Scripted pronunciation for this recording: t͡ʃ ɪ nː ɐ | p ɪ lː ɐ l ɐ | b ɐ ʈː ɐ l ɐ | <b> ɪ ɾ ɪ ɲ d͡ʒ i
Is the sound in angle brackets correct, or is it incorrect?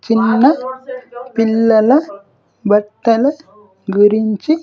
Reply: incorrect